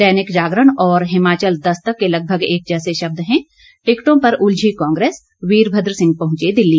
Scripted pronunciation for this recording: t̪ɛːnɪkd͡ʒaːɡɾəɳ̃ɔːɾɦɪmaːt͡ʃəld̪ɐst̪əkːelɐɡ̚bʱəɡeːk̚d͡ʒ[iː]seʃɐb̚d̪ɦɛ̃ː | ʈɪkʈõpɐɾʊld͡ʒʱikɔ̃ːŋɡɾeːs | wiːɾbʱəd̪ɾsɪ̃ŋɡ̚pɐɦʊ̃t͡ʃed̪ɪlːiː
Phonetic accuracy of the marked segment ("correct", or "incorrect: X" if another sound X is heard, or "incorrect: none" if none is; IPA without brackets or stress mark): incorrect: ɛː